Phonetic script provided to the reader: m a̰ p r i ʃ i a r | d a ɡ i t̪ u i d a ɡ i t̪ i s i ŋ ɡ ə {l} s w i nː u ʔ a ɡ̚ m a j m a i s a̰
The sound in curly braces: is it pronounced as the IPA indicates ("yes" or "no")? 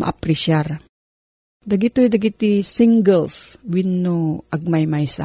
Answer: yes